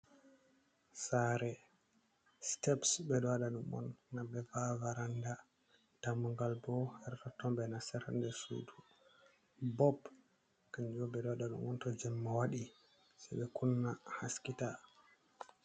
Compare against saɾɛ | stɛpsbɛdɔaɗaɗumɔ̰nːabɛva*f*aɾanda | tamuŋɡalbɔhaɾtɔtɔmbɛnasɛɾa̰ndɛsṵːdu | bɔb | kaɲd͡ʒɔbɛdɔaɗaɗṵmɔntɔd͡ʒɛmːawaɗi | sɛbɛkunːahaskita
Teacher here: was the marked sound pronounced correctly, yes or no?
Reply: no